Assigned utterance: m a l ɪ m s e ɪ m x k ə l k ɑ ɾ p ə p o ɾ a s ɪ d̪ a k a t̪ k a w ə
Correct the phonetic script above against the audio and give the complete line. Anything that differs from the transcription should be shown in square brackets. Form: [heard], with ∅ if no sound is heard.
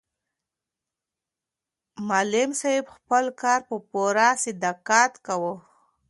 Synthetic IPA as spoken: m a l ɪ m s [a] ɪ [b] x [p] ə l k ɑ ɾ p ə p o ɾ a s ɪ d̪ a k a t̪ k a w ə